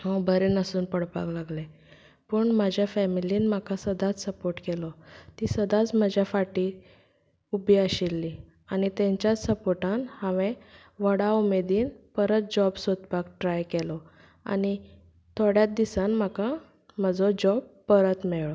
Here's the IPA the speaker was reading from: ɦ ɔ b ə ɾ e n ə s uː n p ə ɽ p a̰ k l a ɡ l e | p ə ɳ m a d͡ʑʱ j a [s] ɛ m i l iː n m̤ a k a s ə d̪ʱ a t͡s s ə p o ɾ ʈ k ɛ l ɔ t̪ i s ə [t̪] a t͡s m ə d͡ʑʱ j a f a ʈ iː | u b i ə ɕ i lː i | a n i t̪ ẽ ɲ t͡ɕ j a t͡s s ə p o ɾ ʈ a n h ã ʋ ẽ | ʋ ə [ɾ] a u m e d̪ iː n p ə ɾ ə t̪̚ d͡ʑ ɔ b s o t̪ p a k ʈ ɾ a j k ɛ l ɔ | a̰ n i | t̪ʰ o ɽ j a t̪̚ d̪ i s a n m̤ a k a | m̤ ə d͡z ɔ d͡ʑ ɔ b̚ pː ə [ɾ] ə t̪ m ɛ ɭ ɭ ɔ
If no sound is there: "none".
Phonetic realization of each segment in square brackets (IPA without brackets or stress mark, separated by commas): f, d̪, ɽ, ɾ